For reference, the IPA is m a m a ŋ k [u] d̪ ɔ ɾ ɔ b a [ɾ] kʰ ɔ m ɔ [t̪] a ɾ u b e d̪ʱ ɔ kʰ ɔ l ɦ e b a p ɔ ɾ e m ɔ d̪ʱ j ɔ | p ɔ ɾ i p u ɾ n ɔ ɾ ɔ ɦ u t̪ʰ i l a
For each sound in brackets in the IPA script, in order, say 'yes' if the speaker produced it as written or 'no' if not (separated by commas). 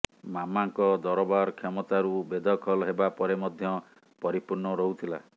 no, yes, yes